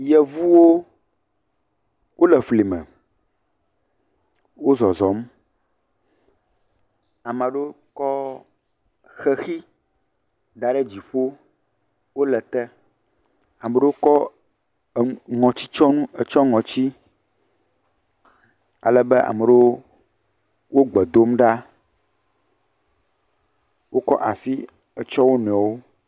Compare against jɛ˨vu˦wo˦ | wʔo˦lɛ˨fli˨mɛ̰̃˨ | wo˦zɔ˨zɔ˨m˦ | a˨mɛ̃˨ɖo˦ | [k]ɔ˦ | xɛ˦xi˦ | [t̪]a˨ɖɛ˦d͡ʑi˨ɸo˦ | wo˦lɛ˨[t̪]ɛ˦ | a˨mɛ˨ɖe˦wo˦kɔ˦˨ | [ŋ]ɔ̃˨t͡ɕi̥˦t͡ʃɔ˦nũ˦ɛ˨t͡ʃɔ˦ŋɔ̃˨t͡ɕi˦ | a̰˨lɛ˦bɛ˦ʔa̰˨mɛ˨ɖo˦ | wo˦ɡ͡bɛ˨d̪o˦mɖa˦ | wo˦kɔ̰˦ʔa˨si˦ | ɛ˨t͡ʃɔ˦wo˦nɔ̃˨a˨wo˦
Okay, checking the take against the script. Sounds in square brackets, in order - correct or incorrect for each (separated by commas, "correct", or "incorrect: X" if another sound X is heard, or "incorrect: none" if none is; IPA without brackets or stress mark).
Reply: correct, incorrect: d̪, correct, correct